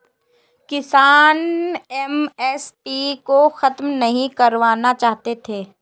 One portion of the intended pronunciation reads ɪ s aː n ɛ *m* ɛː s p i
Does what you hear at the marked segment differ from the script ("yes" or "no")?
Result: no